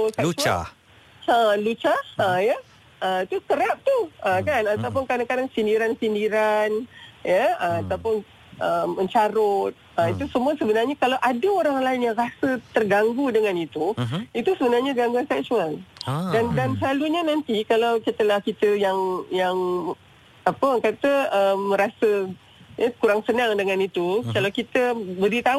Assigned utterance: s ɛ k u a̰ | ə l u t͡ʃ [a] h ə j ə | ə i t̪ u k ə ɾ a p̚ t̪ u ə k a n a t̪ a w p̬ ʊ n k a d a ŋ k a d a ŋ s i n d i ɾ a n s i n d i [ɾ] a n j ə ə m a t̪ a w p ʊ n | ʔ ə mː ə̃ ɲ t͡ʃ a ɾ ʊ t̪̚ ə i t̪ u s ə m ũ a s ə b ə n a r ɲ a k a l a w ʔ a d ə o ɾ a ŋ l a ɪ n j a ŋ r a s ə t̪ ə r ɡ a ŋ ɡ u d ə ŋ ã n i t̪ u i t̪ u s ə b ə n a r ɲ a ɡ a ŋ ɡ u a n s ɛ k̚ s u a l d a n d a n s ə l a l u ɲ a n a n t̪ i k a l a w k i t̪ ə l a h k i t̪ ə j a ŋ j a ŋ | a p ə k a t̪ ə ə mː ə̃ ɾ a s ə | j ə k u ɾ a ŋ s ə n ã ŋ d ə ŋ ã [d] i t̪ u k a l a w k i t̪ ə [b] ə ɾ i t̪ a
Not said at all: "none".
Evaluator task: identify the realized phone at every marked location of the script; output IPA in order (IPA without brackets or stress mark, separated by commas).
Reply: a, ɾ, n, b